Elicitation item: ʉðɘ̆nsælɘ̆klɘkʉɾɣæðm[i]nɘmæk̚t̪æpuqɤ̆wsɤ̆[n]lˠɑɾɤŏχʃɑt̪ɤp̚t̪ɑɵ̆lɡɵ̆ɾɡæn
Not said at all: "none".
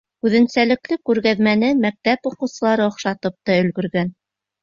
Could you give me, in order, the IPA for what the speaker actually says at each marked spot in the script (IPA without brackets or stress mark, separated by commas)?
æ, none